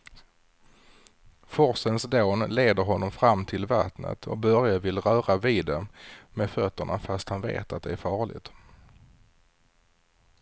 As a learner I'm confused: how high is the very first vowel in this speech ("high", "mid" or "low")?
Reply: mid